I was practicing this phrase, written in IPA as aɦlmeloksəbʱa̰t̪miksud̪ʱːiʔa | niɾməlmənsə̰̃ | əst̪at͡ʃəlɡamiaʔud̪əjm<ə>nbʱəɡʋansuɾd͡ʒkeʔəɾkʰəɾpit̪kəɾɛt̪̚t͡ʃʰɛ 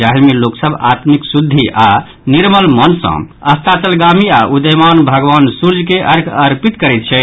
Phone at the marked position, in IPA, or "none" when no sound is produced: a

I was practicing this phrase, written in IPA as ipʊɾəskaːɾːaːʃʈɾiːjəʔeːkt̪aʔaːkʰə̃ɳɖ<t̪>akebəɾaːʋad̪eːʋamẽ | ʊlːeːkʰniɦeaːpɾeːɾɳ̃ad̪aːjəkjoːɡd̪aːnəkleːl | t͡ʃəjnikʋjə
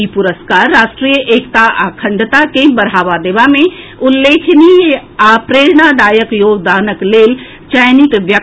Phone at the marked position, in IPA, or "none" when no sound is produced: t̪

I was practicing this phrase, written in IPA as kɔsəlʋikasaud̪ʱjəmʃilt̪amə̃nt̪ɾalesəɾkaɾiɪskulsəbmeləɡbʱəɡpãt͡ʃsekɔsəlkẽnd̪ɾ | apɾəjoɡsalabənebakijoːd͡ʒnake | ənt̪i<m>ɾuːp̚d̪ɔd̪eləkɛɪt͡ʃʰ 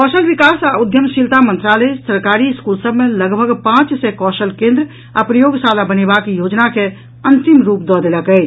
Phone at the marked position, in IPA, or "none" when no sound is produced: m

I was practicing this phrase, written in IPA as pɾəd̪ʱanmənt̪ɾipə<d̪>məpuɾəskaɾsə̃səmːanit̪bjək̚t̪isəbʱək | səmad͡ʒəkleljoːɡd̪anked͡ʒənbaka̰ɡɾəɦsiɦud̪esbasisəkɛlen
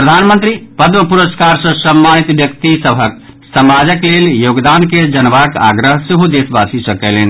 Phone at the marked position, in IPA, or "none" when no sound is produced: d̪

